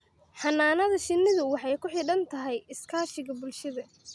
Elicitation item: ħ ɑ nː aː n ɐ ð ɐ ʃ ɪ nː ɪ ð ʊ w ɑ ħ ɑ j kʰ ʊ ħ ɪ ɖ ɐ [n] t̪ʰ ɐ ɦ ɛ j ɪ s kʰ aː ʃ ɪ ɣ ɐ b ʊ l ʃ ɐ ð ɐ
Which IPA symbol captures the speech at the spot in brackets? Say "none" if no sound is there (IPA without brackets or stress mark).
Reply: n